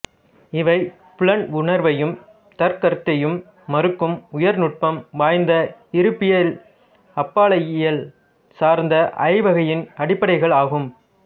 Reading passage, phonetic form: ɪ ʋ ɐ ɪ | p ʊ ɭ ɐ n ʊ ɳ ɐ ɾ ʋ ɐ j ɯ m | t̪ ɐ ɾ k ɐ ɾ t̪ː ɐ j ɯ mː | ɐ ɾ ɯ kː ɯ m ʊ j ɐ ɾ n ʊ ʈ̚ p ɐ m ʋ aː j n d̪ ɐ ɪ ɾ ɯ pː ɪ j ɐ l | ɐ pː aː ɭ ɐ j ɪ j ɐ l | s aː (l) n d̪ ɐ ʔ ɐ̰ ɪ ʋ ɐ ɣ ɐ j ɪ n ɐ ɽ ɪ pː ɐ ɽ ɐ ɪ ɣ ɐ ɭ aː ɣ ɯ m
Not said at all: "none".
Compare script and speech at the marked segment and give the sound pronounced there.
ɾ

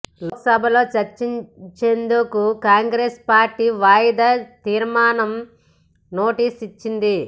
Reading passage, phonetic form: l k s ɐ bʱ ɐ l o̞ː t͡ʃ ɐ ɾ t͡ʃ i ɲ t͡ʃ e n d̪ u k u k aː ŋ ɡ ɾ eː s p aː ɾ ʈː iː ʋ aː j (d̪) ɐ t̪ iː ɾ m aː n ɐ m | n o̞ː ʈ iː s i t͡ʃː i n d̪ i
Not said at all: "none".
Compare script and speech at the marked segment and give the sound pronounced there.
d̪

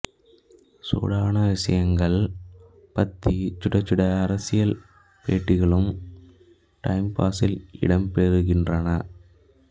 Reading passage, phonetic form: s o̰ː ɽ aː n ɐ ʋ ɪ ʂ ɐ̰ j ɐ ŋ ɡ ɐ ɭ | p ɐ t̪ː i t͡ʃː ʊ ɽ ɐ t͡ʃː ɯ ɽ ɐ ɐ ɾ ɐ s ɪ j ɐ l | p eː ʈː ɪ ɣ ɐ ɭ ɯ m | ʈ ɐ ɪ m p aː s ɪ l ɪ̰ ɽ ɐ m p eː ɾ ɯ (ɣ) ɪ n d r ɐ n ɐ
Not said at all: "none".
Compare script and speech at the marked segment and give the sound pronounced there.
ɣ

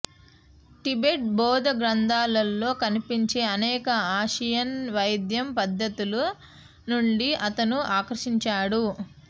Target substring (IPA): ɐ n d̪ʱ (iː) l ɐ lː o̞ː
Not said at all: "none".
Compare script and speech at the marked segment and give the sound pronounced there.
aː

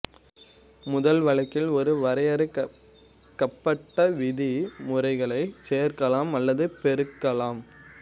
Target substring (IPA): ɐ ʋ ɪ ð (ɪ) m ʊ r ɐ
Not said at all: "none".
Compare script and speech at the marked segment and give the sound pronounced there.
i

